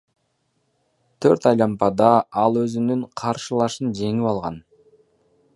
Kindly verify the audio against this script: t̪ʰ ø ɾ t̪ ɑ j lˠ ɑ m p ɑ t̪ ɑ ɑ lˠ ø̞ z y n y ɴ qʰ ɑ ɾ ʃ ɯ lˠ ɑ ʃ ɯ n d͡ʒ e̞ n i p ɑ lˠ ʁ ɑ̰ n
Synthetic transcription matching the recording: t̪ʰ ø ɾ t̪ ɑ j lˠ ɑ m p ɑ d̪ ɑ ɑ lˠ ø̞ z y n y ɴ qʰ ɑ ɾ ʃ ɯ lˠ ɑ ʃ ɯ n d͡ʒ e̞ ŋ i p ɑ lˠ ʁ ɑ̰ n